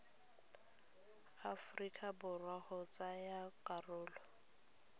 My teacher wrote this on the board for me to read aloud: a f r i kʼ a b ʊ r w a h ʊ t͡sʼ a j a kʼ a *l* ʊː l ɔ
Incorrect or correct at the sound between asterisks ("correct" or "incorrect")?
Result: incorrect